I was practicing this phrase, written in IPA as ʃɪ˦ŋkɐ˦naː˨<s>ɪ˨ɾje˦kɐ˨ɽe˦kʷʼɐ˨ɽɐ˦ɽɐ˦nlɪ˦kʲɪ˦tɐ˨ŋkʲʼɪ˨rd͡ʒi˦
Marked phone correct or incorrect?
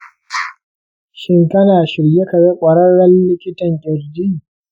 incorrect